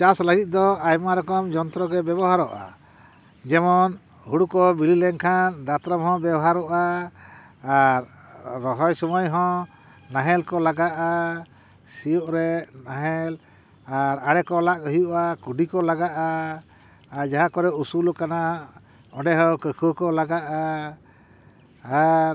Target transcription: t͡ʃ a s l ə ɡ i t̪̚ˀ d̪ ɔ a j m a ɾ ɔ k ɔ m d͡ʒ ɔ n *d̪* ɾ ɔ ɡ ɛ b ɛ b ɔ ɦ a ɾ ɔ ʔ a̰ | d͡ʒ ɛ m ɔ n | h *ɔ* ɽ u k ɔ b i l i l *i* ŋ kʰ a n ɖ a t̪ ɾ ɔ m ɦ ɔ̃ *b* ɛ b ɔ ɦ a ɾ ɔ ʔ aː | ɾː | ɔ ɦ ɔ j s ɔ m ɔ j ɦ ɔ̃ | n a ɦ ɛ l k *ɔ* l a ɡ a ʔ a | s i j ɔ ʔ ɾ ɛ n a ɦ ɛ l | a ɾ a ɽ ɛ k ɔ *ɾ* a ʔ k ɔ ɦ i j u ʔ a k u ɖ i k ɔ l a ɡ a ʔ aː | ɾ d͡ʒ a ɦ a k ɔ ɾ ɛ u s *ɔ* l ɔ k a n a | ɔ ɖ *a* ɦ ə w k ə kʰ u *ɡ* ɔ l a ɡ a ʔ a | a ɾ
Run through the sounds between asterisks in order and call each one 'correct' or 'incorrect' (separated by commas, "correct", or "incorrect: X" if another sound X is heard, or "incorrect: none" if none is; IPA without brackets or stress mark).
incorrect: t̪, incorrect: u, incorrect: ɛ, correct, correct, incorrect: l, incorrect: u, incorrect: ɛ, incorrect: k